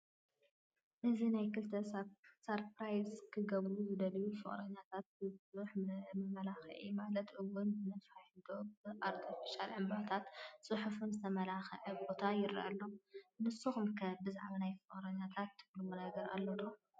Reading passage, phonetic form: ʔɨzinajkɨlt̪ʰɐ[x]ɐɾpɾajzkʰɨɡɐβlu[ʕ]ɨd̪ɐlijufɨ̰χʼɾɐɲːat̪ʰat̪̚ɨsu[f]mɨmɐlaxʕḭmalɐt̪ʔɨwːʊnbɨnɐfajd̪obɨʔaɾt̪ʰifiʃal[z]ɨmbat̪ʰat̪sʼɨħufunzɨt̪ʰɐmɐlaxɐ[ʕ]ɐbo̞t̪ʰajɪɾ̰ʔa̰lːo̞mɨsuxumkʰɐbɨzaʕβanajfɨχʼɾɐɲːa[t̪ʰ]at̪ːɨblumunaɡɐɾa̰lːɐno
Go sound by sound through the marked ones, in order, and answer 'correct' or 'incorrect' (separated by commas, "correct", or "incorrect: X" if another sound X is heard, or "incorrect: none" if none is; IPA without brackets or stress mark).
incorrect: s, incorrect: z, incorrect: ħ, incorrect: ʕ, correct, correct